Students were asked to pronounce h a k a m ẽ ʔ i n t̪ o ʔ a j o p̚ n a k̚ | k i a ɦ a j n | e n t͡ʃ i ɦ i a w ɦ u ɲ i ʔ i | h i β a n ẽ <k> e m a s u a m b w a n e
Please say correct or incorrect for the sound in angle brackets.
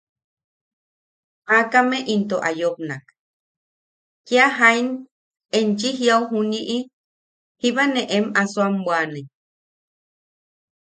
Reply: incorrect